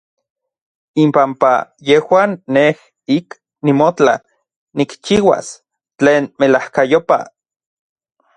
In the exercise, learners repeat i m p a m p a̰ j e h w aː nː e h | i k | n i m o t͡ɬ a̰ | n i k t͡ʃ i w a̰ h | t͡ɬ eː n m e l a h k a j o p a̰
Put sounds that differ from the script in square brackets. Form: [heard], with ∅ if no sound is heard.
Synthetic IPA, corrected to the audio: i m p a m p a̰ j e h w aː nː e h | i k | n i m o t͡ɬ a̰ | n i k t͡ʃ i w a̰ [s] | t͡ɬ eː n m e l a h k a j o p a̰